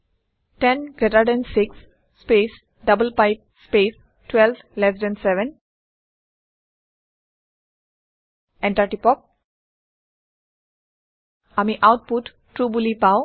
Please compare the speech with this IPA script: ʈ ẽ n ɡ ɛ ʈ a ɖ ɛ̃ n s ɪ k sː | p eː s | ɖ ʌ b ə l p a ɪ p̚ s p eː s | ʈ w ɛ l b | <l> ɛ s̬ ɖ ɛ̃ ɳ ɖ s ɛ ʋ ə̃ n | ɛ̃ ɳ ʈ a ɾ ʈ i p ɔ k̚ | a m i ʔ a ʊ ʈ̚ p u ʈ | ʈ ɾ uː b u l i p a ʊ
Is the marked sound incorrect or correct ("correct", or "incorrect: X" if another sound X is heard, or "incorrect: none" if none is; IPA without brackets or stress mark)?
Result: correct